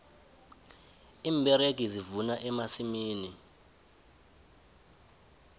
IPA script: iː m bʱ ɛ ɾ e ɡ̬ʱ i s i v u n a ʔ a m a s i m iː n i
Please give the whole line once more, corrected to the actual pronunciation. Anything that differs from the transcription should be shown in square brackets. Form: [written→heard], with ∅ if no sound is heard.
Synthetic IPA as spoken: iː m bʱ ɛ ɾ e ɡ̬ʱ i [s→z] i v u n a ʔ [a→ɛ] m a s i m iː n i